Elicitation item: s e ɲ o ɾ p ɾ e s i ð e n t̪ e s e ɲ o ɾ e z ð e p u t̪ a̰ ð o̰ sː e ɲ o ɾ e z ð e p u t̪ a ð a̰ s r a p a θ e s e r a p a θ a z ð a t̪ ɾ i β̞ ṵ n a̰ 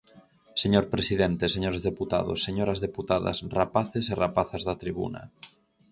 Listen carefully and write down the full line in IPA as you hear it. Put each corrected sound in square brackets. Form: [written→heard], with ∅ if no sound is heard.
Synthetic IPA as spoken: s e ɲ o ɾ p ɾ e s i ð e n t̪ e s e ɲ o ɾ e z ð e p u t̪ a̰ ð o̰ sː e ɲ o ɾ [e→a] z ð e p u t̪ a ð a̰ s r a p a θ e s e r a p a θ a z ð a t̪ ɾ i β̞ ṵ n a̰